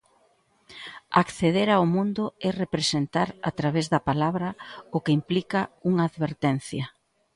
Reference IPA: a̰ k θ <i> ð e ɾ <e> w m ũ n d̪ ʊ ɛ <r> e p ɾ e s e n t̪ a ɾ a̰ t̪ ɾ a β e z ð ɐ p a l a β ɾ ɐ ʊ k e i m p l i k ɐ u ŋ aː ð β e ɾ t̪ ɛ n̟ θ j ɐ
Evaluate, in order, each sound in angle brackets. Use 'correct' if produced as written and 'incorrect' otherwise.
incorrect, incorrect, correct

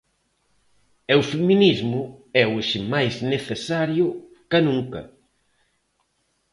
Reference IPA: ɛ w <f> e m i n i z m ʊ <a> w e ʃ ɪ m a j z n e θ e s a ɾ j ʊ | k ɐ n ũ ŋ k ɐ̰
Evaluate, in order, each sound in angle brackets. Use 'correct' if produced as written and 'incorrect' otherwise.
correct, incorrect

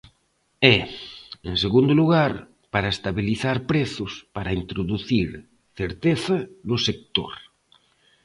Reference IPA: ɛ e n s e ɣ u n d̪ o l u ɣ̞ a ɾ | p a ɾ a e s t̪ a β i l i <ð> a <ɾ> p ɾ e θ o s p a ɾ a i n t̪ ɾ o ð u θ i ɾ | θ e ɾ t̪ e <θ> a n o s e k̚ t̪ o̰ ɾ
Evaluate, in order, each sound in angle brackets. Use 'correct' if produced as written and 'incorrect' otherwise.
incorrect, correct, correct

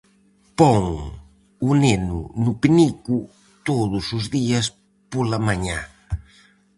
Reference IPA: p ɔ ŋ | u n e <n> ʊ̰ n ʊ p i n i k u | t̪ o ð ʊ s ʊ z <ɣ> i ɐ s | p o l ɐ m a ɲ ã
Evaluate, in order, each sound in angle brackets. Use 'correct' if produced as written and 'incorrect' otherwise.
correct, incorrect

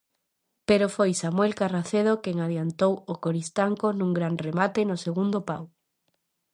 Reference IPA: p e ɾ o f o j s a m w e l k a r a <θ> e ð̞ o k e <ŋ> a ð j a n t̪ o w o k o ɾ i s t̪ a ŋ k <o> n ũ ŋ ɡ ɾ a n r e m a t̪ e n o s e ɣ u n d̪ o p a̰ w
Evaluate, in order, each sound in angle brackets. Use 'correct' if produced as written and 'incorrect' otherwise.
correct, correct, correct

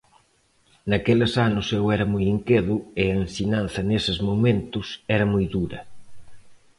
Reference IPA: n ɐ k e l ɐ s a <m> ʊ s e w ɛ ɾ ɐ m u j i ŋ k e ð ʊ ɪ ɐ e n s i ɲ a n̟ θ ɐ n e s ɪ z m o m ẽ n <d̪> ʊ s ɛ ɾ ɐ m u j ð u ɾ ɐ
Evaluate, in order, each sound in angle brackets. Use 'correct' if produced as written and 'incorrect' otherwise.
incorrect, incorrect

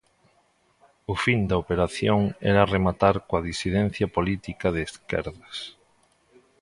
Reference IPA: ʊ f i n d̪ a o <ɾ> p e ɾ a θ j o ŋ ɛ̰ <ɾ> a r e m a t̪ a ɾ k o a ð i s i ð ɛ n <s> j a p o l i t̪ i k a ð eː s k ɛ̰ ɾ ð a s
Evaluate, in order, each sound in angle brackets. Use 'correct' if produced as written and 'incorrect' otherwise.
incorrect, correct, incorrect

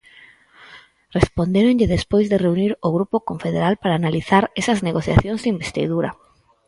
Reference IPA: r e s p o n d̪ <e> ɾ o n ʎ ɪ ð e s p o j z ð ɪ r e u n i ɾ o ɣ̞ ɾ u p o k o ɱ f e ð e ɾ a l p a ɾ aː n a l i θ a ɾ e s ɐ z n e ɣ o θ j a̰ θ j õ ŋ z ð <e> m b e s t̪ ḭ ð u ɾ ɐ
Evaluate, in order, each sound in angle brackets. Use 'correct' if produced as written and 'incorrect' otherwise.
correct, incorrect

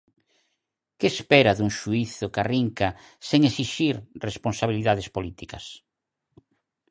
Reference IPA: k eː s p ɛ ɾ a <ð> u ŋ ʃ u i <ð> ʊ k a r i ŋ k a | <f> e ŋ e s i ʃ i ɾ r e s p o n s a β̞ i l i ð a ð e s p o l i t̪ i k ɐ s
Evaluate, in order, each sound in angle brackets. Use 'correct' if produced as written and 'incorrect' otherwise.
correct, incorrect, incorrect

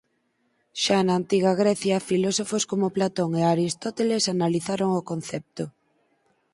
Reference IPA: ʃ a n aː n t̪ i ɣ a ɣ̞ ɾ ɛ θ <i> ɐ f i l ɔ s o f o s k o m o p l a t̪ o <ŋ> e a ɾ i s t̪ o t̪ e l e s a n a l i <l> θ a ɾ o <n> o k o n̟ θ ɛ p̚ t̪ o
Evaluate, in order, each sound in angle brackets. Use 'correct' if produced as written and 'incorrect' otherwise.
incorrect, correct, incorrect, incorrect

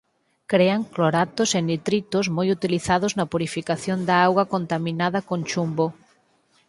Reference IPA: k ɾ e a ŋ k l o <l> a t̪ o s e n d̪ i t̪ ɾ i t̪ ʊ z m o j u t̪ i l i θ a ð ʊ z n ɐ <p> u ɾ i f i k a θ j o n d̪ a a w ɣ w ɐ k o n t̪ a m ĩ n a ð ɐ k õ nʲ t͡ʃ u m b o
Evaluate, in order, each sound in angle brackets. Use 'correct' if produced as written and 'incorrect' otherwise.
incorrect, correct

